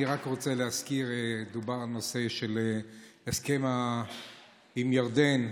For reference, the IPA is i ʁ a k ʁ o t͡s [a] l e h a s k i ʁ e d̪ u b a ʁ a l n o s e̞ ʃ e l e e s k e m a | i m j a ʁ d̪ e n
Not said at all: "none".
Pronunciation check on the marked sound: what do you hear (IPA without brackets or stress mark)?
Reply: e